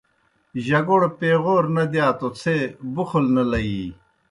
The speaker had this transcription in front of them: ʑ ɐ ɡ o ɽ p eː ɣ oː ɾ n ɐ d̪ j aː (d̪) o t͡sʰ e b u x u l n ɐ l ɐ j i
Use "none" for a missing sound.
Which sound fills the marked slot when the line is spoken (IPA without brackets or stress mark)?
t̪